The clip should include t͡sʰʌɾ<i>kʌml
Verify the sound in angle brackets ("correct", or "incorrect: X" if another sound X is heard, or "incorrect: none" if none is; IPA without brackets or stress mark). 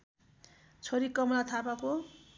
correct